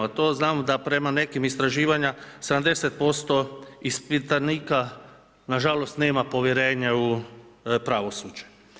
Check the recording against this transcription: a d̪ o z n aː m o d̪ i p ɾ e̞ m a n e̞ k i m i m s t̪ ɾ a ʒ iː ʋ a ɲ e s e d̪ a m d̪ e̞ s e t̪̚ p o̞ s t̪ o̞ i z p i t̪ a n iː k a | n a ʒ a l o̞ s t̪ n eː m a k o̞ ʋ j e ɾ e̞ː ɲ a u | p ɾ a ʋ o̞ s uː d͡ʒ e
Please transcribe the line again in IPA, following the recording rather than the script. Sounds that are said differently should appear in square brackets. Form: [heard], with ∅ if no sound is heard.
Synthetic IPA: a [t̪] o z n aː m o d̪ [a] p ɾ e̞ m a n e̞ k i m i [∅] s t̪ ɾ a ʒ iː ʋ a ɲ [a] s e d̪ a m d̪ e̞ s e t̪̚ p o̞ s t̪ o̞ i [s] p i t̪ a n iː k a | n a ʒ a l o̞ s t̪ n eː m a [p] o̞ ʋ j e ɾ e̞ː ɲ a u | p ɾ a ʋ o̞ s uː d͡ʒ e